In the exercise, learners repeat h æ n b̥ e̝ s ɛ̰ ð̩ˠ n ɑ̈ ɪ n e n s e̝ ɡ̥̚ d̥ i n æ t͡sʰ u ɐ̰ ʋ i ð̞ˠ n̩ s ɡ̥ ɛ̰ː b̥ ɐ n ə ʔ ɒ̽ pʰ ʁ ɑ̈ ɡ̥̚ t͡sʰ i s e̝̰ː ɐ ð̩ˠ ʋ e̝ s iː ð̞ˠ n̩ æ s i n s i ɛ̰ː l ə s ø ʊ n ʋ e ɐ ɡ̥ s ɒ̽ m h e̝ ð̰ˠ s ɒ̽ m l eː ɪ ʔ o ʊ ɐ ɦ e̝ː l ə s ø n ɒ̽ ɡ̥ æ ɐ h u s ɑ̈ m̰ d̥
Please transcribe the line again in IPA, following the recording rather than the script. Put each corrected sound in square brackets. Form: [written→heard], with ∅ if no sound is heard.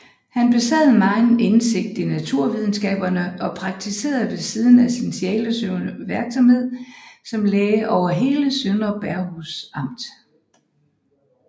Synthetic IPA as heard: h æ n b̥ e̝ s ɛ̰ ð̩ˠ [n→m] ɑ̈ ɪ n e n s e̝ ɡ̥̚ d̥ i n æ t͡sʰ u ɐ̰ ʋ i ð̞ˠ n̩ s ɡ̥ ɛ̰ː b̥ ɐ n ə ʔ ɒ̽ pʰ ʁ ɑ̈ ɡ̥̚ t͡sʰ i s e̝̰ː ɐ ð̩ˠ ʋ e̝ s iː ð̞ˠ n̩ æ s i n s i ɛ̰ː l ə s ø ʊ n ʋ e ɐ ɡ̥ s ɒ̽ m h e̝ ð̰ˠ s ɒ̽ m l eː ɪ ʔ [o→ɒ] ʊ ɐ ɦ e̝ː l ə s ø n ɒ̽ [ɡ̥→b̥] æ ɐ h u s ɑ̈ m̰ d̥